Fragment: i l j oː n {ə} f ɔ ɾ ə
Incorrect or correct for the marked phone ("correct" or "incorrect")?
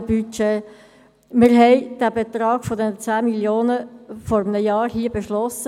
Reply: correct